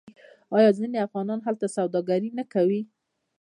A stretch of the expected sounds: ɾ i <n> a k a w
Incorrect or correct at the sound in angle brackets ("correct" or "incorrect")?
correct